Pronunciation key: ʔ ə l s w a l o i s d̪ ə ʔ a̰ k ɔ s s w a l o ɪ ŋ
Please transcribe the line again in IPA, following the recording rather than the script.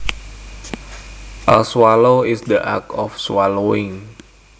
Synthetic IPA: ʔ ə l s w a l o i s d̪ ə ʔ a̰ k ɔ f s w a l o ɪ ŋ